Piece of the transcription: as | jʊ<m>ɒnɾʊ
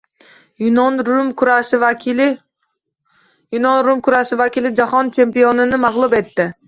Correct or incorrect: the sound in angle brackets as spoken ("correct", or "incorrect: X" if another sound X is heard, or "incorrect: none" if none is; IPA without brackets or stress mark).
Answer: incorrect: n